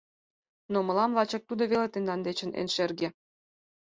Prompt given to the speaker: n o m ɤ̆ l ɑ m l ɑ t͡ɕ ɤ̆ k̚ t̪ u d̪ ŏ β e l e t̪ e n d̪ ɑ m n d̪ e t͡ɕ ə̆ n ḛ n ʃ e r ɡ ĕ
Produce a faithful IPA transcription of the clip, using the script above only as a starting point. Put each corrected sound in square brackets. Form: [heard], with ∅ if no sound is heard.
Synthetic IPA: n o m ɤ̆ l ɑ m l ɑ t͡ɕ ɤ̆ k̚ t̪ u d̪ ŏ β e l e t̪ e n d̪ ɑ [∅] n d̪ e t͡ɕ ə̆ n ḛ n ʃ e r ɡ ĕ